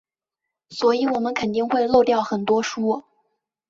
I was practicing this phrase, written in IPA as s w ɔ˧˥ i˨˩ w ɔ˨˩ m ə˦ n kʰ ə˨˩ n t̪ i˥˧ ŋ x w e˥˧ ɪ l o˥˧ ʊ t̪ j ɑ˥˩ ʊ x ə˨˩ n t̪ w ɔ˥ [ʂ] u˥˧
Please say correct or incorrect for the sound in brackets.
correct